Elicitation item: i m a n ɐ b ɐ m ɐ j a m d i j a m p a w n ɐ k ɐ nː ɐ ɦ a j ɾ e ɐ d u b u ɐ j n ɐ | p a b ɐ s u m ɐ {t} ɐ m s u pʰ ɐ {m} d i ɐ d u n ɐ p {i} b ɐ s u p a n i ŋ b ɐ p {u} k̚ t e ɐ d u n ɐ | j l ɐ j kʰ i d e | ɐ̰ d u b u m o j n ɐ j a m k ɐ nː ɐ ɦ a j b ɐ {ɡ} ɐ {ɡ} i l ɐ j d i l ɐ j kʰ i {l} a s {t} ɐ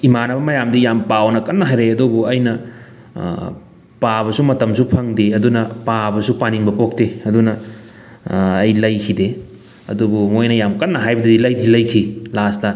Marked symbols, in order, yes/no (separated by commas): yes, no, no, no, no, no, yes, yes